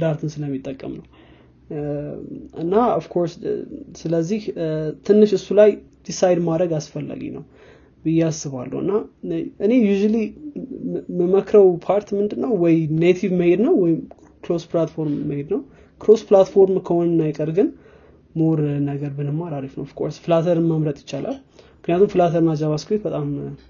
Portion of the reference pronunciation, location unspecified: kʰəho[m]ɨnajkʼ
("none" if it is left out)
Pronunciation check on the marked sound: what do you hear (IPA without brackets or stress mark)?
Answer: n